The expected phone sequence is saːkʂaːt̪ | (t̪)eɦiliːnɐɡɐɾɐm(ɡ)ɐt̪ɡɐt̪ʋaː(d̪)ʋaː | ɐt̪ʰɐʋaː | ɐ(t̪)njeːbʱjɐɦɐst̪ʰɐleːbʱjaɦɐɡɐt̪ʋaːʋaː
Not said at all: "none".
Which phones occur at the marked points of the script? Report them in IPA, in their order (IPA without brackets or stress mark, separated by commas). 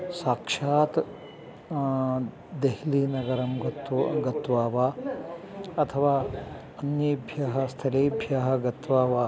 d̪, ɡ, none, none